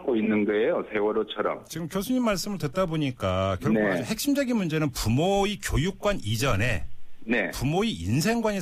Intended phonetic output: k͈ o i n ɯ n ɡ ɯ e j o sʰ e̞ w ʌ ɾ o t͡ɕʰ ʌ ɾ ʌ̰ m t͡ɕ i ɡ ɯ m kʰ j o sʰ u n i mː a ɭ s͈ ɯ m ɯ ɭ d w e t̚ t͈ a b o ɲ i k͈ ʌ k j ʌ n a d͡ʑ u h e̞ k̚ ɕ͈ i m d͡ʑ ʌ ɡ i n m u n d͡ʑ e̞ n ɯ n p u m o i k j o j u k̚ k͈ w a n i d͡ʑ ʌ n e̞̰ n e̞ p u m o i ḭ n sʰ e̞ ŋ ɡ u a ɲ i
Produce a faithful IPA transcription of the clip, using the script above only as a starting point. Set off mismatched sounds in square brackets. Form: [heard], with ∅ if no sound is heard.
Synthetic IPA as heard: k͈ o i [nː] ɯ n ɡ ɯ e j o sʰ e̞ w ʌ ɾ o t͡ɕʰ ʌ ɾ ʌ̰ m t͡ɕ i ɡ ɯ m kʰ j o sʰ u [ɲ] i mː a ɭ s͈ ɯ m ɯ ɭ d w e t̚ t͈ a b o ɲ i k͈ [a] k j ʌ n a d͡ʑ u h e̞ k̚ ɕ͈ i m d͡ʑ ʌ ɡ i n m u n d͡ʑ e̞ n ɯ n p u m o i k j o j u k̚ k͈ w a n i d͡ʑ ʌ n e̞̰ n e̞ p u m o i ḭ n sʰ e̞ ŋ ɡ [w] a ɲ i